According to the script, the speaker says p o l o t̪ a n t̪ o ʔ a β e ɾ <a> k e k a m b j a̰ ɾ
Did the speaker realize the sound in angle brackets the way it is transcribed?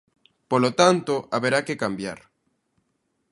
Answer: yes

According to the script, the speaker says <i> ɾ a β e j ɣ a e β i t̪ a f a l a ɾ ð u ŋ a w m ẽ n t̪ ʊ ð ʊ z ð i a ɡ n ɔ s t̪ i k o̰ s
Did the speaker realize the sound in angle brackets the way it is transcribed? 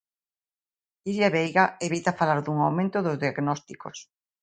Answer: yes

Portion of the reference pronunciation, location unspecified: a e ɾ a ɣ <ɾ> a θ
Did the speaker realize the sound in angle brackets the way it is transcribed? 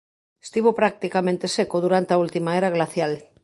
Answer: no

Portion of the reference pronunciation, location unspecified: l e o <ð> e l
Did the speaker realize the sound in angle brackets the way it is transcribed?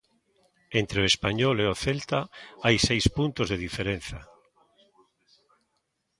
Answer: no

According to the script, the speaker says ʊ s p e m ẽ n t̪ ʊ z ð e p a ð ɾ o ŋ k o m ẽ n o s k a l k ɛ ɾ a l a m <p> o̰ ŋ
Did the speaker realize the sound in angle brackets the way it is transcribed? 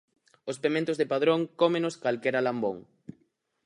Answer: no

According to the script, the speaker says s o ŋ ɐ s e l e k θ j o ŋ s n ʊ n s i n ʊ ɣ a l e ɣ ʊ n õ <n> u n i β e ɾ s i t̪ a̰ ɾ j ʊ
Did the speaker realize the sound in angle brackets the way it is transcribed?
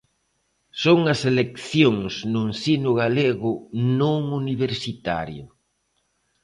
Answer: no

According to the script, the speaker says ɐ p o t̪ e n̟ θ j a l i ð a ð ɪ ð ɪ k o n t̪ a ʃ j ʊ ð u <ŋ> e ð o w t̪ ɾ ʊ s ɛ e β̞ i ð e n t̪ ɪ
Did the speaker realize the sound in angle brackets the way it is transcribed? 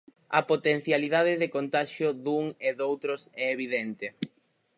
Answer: yes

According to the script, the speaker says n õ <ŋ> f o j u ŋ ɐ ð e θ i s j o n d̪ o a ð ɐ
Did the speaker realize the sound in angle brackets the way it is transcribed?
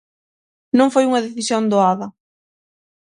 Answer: yes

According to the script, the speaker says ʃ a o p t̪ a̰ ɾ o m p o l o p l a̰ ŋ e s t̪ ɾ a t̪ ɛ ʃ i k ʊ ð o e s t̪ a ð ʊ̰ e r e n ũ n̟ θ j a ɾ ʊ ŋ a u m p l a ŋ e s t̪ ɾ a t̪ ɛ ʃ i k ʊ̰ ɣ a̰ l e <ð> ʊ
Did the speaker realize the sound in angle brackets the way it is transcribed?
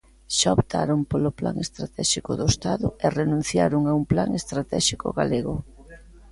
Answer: no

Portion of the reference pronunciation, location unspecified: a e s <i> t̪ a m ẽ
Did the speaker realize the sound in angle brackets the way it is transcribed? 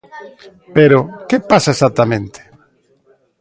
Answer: no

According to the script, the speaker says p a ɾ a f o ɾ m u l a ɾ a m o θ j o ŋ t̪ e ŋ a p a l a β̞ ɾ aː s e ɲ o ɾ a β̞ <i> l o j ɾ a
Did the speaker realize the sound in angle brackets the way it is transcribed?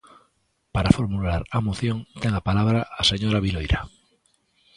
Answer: yes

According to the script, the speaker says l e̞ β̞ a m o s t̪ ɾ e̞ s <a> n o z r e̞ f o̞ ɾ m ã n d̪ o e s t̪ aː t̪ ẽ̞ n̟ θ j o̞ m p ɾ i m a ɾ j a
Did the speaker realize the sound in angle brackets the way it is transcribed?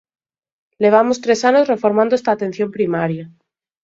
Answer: yes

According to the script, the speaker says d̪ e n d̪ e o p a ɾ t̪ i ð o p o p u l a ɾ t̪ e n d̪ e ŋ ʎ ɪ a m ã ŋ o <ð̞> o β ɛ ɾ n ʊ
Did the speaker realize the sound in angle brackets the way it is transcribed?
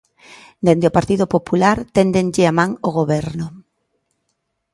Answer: no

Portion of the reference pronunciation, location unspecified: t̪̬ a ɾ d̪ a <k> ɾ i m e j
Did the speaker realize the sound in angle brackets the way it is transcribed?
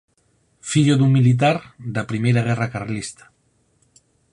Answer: no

